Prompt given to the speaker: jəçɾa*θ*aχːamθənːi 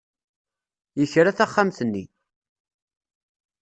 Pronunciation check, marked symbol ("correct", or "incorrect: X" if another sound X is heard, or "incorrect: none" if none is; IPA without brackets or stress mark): correct